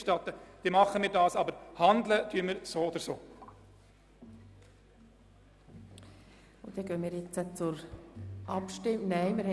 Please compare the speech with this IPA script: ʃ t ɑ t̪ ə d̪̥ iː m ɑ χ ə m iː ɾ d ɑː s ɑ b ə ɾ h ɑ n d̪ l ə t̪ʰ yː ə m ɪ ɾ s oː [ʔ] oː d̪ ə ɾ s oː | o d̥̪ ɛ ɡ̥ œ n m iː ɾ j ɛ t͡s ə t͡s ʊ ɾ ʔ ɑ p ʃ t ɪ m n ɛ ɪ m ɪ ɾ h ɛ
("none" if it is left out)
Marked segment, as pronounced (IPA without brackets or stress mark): none